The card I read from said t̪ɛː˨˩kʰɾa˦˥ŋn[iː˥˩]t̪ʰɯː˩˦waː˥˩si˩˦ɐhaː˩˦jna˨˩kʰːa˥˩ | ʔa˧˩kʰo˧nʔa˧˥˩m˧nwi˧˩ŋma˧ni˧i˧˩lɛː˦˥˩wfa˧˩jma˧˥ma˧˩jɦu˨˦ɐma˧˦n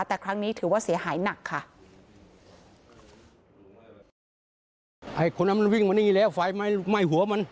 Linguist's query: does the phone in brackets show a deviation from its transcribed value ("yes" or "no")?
yes